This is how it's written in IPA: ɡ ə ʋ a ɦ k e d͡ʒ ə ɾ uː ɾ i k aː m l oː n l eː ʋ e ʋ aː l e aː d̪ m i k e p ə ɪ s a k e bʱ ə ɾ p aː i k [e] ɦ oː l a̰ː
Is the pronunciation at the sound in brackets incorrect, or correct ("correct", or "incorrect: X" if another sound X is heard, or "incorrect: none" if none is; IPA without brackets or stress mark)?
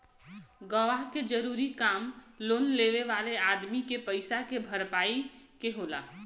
correct